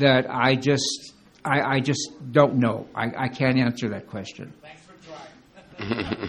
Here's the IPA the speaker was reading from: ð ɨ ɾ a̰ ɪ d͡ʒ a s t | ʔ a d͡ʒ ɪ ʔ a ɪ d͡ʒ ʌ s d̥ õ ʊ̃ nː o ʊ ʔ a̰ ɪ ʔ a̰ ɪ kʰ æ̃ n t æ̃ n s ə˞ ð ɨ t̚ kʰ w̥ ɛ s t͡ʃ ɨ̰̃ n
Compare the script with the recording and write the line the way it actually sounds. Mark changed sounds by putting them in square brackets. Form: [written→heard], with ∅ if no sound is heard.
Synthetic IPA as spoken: ð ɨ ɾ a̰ ɪ d͡ʒ [a→ʌ] s t | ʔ a [d͡ʒ→∅] ɪ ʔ a ɪ d͡ʒ ʌ s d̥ õ ʊ̃ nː o ʊ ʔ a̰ ɪ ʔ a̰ ɪ kʰ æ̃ n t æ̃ n s ə˞ ð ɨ t̚ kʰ w̥ ɛ s t͡ʃ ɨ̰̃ n